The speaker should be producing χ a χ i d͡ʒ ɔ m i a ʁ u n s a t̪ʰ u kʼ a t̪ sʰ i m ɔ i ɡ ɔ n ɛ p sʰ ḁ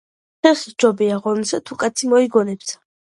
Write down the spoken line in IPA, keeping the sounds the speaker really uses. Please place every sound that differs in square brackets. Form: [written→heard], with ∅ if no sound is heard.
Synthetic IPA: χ [a→ɛ] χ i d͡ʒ ɔ [m→b] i a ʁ [u→ɔ] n s a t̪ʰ u kʼ a t̪ sʰ i m ɔ i ɡ ɔ n ɛ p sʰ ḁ